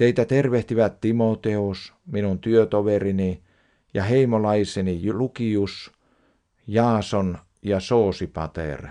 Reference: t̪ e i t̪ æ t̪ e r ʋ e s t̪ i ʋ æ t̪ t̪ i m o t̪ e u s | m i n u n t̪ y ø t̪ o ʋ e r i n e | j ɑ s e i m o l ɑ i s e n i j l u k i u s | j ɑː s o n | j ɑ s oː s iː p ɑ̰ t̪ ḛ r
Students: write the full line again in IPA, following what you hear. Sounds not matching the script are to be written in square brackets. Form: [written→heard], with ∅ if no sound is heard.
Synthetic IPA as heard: t̪ e i t̪ æ t̪ e r ʋ e [s→h] t̪ i ʋ æ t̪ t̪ i m o t̪ e u s | m i n u n t̪ y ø t̪ o ʋ e r i n [e→i] | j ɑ [s→h] e i m o l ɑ i s e n i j l u k i u s | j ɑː s o n | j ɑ s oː s [iː→i] p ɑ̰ t̪ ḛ r